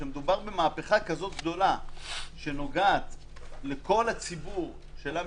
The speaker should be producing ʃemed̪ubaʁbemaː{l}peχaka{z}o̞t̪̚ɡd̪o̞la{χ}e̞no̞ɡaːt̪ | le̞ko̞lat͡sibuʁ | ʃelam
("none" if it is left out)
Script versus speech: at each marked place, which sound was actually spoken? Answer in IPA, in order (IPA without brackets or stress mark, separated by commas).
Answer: none, z, ʃ